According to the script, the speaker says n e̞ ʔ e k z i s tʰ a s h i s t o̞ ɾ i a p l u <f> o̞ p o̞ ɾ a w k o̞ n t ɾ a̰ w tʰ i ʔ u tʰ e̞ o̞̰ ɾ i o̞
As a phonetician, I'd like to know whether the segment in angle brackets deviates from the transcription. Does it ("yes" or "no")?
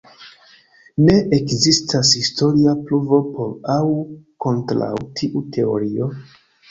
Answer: yes